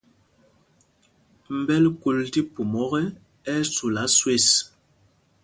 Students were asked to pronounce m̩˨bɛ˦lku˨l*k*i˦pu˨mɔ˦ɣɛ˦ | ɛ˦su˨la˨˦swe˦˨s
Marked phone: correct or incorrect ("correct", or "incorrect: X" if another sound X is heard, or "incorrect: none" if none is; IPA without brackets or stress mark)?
incorrect: t